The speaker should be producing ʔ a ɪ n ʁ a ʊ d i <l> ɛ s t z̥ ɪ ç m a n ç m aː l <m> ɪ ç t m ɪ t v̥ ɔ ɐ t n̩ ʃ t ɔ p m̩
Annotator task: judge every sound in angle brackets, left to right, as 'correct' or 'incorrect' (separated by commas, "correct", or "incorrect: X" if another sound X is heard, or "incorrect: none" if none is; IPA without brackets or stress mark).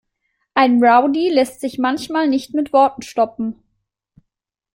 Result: correct, incorrect: n